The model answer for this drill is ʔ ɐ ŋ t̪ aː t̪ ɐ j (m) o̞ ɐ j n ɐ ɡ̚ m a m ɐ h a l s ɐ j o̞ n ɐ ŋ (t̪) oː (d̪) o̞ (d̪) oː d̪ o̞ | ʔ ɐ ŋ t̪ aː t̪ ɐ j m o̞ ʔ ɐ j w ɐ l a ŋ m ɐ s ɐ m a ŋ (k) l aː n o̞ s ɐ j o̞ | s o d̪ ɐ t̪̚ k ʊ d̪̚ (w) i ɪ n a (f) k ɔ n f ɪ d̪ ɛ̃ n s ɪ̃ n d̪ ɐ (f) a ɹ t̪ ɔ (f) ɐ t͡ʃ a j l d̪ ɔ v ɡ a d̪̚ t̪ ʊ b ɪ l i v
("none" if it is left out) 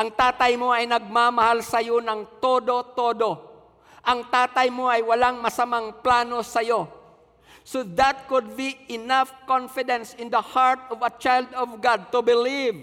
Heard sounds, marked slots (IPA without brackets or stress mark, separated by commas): m, t̪, d̪, t̪, p, b, f, h, v